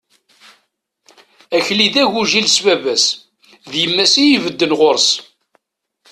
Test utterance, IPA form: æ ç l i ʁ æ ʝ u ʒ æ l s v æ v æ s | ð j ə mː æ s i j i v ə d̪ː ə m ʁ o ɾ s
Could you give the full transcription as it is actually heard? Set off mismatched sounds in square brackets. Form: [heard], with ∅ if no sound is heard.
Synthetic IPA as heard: æ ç l i [ð] æ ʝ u ʒ [i] l s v æ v æ s | ð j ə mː æ s i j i v ə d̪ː ə [n] ʁ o ɾ s